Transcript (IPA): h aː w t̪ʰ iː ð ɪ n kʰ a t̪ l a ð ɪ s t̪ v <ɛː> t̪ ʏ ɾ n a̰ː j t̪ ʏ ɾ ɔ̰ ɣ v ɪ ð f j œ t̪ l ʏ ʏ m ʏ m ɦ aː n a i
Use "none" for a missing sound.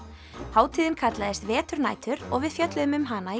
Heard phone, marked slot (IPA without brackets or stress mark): ɛː